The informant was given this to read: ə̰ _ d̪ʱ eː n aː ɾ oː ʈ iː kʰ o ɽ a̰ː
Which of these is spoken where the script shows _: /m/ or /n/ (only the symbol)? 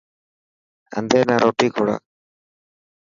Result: n